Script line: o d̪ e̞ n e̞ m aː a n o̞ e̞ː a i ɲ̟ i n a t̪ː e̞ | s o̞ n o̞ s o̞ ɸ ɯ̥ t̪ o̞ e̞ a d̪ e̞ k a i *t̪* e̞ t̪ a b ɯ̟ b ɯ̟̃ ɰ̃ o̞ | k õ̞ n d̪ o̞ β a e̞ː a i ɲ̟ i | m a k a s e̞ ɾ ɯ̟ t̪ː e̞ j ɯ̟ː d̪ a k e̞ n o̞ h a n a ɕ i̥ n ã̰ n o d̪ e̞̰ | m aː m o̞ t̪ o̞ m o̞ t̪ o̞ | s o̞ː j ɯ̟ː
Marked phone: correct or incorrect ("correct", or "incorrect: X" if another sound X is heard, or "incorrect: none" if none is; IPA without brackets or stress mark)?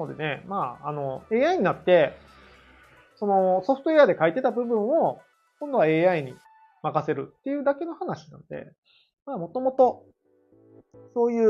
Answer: correct